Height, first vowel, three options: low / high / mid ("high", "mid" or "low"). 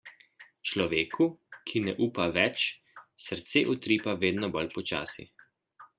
mid